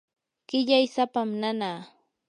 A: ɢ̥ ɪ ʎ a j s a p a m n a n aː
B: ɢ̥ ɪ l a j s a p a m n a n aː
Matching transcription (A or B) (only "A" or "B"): A